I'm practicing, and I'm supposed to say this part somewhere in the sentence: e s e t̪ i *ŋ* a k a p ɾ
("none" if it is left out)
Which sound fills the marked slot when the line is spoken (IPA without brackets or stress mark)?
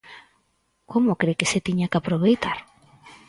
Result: ɲ